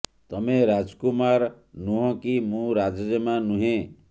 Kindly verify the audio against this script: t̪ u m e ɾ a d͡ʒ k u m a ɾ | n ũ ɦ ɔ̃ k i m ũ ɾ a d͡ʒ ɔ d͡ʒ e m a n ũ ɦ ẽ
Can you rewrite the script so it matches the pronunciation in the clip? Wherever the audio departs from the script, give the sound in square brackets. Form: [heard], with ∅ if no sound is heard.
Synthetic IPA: t̪ [ɔ] m e ɾ a d͡ʒ k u m a ɾ | n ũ ɦ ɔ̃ k i m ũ ɾ a d͡ʒ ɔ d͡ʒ e m a n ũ ɦ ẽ

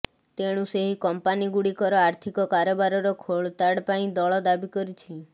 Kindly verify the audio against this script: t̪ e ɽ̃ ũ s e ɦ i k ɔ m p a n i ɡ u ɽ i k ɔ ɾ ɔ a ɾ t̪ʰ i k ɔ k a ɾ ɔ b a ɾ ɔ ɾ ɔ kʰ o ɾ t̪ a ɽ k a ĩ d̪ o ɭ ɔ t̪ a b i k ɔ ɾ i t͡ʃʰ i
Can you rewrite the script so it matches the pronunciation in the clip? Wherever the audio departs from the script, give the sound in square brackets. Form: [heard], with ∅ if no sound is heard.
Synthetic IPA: t̪ e ɽ̃ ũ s e ɦ i k ɔ m p a n i ɡ u ɽ i k ɔ ɾ ɔ a ɾ t̪ʰ i k ɔ k a ɾ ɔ b a ɾ ɔ ɾ ɔ kʰ o [ɭ] t̪ a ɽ [p] a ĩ d̪ [ɔ] ɭ ɔ [d̪] a b i k ɔ ɾ i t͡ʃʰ i

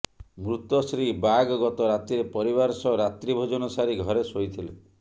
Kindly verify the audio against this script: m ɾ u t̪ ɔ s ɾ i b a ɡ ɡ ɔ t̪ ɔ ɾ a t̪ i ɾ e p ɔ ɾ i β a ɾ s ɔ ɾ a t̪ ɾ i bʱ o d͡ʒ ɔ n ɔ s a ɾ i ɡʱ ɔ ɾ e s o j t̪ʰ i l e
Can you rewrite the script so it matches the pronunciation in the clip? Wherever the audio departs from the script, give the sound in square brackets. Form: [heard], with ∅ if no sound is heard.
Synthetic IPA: m ɾ u t̪ ɔ s ɾ i b a ɡ ɡ ɔ t̪ ɔ ɾ a t̪ i ɾ e p ɔ ɾ i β a ɾ s ɔ ɾ a t̪ ɾ i bʱ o d͡ʒ ɔ n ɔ s a ɾ i ɡʱ ɔ ɾ e s o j t̪ʰ i l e

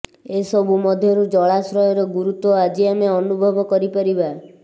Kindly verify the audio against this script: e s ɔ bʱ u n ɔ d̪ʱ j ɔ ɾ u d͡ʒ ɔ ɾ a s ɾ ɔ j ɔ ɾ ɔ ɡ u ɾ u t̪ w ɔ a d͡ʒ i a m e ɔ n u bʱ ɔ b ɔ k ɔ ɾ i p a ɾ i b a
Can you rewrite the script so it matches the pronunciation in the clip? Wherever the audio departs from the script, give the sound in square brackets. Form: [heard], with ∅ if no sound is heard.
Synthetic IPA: e s ɔ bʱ u [m] ɔ d̪ʱ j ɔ ɾ u d͡ʒ ɔ [ɭ] a s ɾ ɔ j ɔ ɾ ɔ ɡ u ɾ u t̪ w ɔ a d͡ʒ i a m e ɔ n u bʱ ɔ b ɔ k ɔ ɾ i p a ɾ i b a

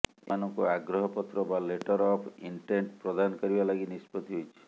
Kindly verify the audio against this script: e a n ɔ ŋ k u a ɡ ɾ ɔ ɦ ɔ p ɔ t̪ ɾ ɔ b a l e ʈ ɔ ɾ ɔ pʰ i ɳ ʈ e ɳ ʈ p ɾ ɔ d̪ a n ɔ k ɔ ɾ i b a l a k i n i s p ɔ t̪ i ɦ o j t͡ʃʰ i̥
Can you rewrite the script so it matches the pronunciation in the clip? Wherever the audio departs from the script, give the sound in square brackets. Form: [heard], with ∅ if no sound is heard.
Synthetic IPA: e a n ɔ ŋ k u a ɡ ɾ ɔ ɦ ɔ p ɔ t̪ ɾ ɔ b a l e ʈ ɔ ɾ ɔ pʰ i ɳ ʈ e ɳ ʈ p ɾ ɔ d̪ a n ɔ k ɔ ɾ i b a l a [ɡ] i n i s p ɔ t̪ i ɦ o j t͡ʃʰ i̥

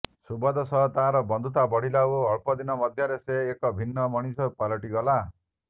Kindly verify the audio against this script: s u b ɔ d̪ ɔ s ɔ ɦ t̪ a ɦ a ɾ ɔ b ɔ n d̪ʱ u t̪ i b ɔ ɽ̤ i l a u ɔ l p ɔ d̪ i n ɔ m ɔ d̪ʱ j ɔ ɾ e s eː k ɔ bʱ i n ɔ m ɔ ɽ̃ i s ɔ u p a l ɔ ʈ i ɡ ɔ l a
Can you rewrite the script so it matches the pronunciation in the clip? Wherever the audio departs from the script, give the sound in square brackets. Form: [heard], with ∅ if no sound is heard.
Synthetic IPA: s u b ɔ d̪ ɔ s ɔ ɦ t̪ a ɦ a ɾ ɔ b ɔ n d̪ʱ u t̪ [a] b ɔ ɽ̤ i l a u ɔ [ɭ] p ɔ d̪ i n ɔ m ɔ d̪ʱ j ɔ ɾ e s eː k ɔ bʱ i [nː] ɔ m ɔ ɽ̃ i s ɔ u p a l ɔ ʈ i ɡ ɔ l a

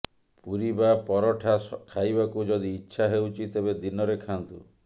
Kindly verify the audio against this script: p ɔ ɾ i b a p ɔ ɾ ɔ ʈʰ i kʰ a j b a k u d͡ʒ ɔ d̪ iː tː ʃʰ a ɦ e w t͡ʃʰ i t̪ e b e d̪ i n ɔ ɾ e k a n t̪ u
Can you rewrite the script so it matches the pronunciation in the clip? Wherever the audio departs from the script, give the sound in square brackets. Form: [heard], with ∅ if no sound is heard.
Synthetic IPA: p [u] ɾ i b a p ɔ ɾ ɔ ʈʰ [a] kʰ a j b a k u d͡ʒ ɔ d̪ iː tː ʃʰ a ɦ e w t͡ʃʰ i t̪ e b e d̪ i n ɔ ɾ e [kʰ] a n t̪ u

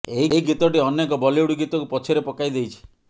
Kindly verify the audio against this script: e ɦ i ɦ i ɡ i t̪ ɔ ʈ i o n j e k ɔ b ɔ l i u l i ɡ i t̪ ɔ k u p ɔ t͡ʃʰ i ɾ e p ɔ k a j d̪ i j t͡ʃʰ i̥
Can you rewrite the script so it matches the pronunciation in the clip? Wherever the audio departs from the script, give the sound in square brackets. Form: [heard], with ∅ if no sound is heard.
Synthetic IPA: e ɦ i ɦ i ɡ i t̪ ɔ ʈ i [ɔ] n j e k ɔ b ɔ l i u [ɽ] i ɡ i t̪ ɔ k u p ɔ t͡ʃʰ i ɾ e p ɔ k a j d̪ [e] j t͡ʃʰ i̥

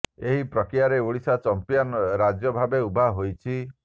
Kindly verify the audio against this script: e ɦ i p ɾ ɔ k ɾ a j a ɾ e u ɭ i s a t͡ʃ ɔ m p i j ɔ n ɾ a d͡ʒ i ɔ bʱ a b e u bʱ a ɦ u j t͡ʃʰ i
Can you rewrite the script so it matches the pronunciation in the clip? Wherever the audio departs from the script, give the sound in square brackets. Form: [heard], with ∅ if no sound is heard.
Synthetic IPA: e ɦ i p ɾ ɔ k ɾ [i] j a ɾ e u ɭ i s a t͡ʃ ɔ m p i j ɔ n ɾ a d͡ʒ [j] ɔ bʱ a b e u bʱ a ɦ [o] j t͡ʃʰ i

